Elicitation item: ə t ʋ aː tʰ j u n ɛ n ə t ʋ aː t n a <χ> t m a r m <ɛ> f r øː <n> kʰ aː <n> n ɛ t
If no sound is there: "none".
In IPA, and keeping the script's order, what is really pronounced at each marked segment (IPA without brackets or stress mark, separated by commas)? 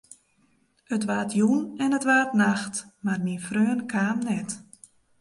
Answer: x, i, n, m